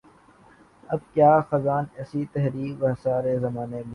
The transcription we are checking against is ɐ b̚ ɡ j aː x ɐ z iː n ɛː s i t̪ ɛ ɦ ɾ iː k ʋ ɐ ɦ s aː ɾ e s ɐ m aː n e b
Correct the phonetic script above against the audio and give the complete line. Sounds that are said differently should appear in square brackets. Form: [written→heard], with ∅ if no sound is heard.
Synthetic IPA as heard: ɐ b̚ [ɡ→k] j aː x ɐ z [iː→aː] n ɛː s i t̪ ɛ ɦ ɾ iː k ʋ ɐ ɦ s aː ɾ e [s→z] ɐ m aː n e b